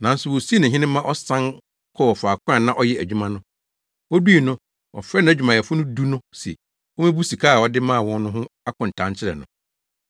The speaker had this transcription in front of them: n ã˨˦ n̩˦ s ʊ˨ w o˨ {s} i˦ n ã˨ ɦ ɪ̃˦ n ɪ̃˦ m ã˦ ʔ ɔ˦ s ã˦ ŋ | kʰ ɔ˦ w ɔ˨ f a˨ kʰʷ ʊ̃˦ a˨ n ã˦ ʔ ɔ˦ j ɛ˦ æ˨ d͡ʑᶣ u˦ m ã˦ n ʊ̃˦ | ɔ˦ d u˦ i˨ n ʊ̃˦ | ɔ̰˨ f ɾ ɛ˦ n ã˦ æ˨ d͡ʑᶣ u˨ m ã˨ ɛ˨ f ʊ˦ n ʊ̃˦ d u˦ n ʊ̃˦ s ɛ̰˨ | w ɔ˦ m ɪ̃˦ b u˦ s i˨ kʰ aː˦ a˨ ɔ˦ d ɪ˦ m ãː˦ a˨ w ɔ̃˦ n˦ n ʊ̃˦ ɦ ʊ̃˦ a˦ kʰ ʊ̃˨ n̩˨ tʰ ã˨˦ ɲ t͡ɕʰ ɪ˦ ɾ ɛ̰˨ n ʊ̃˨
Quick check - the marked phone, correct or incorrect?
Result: correct